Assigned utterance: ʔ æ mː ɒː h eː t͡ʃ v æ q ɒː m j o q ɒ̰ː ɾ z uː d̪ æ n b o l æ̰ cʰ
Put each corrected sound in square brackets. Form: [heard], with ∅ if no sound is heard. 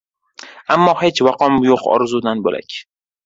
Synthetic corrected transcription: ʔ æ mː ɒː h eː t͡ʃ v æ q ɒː m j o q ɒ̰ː ɾ z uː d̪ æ n b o l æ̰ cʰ